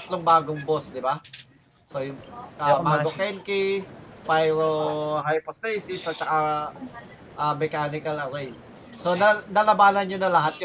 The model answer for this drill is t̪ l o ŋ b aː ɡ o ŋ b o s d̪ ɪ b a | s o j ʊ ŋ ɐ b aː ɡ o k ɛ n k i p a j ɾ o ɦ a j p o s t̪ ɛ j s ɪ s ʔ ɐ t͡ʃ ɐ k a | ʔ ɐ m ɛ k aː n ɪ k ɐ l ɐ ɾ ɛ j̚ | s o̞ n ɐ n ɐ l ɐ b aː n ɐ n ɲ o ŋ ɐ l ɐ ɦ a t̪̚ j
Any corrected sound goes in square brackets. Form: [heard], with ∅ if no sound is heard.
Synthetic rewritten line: t̪ l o ŋ b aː ɡ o ŋ b o s d̪ ɪ b a | s o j ʊ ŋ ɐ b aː ɡ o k ɛ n k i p a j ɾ o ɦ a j p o s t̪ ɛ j s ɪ s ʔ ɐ t͡ʃ ɐ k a | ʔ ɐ m ɛ k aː n ɪ k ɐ l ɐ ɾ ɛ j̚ | s o̞ n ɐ n ɐ l ɐ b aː n ɐ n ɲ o [n] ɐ l ɐ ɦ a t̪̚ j